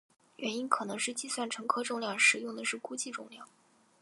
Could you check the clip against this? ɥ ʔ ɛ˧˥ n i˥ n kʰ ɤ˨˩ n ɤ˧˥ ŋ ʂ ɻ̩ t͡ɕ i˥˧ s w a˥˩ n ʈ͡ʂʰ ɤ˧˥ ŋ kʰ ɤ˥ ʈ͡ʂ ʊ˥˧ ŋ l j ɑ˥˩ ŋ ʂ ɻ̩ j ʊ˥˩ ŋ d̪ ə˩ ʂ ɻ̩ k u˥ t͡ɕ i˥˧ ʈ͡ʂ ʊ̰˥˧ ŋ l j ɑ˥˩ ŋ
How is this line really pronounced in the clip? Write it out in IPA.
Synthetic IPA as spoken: ɥ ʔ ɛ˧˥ n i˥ n kʰ ɤ˨˩ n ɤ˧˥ ŋ ʂ ɻ̩ t͡ɕ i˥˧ s w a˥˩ n ʈ͡ʂʰ ɤ˧˥ ŋ kʰ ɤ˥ ʈ͡ʂ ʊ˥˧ ŋ l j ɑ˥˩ ŋ ʂ ɻ̩ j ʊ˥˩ ŋ d̪ ə˩ ʂ ɻ̩ k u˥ t͡ɕ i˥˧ ʈ͡ʂ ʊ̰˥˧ ŋ l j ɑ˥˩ ŋ